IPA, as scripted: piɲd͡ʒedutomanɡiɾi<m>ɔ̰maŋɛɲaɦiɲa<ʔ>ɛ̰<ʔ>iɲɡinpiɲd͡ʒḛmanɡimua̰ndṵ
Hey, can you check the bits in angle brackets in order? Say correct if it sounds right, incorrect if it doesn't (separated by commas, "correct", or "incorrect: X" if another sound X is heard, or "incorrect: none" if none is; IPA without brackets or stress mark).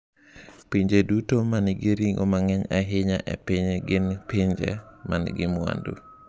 incorrect: ŋ, correct, incorrect: p